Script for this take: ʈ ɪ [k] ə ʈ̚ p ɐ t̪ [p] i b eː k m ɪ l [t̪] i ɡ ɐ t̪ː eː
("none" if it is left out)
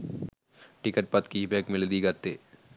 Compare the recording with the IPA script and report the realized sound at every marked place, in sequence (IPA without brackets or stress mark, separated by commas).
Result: k, k, d̪